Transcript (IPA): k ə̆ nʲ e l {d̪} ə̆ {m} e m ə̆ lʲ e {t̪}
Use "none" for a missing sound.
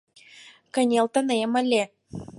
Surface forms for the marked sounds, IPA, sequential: t̪, n, none

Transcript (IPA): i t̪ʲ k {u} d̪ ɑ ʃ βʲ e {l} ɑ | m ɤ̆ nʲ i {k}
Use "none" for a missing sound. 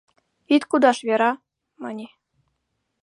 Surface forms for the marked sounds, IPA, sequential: u, ɾ, none

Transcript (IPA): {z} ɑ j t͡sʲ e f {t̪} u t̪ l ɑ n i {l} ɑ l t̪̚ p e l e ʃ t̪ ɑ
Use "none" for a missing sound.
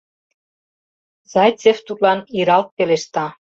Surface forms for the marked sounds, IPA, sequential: z, t̪, ɾ

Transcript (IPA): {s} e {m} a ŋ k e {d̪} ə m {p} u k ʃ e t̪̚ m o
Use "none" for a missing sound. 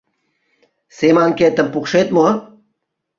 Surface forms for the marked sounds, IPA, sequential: s, m, t̪, p

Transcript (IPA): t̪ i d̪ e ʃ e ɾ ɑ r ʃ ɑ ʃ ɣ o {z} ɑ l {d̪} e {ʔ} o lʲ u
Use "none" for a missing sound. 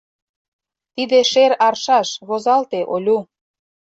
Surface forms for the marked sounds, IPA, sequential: z, t̪, ʔ

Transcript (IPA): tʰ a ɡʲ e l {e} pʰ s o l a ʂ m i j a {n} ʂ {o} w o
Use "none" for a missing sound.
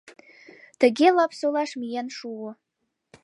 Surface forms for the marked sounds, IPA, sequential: a, n, u

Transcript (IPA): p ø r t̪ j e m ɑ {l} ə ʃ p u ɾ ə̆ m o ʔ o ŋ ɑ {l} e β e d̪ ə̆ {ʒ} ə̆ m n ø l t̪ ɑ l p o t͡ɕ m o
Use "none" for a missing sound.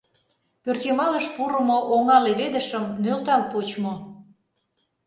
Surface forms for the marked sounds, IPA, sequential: l, l, ʃ

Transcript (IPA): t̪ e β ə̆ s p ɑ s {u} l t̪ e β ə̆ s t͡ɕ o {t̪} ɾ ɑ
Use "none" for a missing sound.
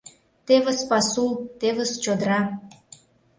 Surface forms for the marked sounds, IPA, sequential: u, d̪

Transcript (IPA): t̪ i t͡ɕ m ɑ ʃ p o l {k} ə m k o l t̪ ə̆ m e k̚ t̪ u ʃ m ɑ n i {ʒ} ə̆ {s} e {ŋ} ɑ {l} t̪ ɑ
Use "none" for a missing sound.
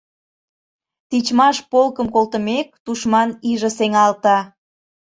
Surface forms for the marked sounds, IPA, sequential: k, ʒ, s, ŋ, l

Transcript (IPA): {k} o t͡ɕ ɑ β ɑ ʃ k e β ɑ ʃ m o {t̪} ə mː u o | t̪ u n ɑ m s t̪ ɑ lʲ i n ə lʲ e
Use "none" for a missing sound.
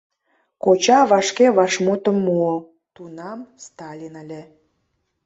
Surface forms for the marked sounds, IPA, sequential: k, t̪

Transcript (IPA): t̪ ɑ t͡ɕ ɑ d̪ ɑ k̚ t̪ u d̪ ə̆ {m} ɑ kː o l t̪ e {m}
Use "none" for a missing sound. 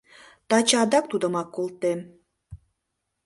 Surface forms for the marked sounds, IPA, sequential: m, m

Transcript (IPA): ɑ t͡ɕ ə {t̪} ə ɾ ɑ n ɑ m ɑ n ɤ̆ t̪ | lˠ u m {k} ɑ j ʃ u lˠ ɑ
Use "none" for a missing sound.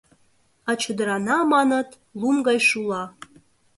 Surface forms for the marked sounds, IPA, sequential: d̪, ɡ

